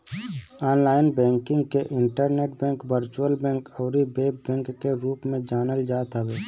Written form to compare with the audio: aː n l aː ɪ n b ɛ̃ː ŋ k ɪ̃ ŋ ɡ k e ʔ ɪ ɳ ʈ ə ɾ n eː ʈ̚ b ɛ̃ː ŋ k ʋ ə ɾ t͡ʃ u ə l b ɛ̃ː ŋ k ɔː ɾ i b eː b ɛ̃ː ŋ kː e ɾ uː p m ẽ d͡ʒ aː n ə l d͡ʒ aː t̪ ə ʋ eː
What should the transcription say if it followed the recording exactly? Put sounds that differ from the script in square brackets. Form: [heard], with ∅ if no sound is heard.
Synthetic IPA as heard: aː n l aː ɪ n b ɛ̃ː ŋ k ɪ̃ ŋ ɡ k e ʔ ɪ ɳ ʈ ə ɾ n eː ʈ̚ b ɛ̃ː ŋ k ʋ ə ɾ t͡ʃ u ə l b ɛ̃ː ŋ k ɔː ɾ i b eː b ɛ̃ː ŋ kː e ɾ uː p m ẽ d͡ʒ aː n ə l d͡ʒ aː t̪ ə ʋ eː